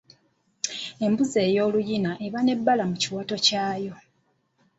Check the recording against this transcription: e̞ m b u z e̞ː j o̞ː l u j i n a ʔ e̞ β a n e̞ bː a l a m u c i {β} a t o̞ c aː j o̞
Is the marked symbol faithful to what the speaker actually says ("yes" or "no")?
no